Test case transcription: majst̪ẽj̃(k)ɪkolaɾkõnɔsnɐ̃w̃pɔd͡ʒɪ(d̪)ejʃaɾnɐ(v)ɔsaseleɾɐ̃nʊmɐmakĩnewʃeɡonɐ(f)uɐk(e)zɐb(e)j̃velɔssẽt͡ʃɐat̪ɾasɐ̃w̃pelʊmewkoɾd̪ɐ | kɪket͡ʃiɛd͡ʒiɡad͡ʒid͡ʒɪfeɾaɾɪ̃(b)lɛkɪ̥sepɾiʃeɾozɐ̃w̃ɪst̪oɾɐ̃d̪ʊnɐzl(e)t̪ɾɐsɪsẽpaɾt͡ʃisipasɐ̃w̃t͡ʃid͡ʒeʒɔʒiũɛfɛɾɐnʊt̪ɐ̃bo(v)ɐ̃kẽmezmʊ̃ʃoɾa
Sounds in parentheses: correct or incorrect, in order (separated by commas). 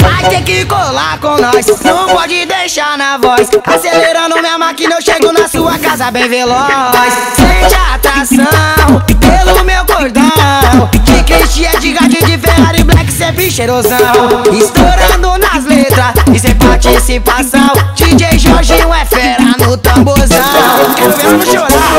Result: correct, correct, correct, incorrect, incorrect, incorrect, correct, correct, incorrect